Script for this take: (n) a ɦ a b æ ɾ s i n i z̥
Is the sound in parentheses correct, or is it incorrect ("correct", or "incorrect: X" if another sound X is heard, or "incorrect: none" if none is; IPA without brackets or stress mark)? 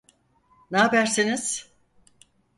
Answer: correct